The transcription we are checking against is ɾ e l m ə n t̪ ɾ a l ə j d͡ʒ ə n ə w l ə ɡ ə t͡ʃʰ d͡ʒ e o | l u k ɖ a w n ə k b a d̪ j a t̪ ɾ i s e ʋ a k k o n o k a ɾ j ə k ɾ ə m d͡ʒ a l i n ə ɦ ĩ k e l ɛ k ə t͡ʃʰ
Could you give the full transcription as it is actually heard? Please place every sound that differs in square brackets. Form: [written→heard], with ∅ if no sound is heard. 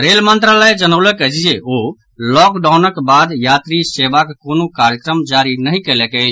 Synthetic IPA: ɾ e l m ə n t̪ ɾ a l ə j d͡ʒ ə n ə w l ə [ɡ→k] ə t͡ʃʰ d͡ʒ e o | l [u→ɔ] k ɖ a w n ə k b a d̪ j a t̪ ɾ i s e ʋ a k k o n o k a ɾ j ə k ɾ ə m d͡ʒ a [l→ɾ] i n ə ɦ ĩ k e l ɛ k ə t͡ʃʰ